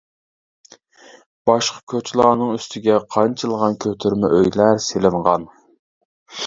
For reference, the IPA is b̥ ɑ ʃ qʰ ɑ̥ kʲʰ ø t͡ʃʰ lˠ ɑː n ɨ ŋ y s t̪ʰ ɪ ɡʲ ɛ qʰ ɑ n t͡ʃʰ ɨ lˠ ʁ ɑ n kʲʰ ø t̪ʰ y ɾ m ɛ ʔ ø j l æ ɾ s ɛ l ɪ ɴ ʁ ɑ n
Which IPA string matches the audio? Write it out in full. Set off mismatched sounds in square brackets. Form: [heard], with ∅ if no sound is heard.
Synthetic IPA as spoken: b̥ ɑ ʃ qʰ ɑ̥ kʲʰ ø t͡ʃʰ lˠ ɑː n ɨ ŋ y s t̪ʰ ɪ ɡʲ ɛ qʰ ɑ n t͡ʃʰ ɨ lˠ ʁ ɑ n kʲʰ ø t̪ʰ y ɾ m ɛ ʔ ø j l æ ɾ s [e] l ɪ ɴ ʁ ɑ n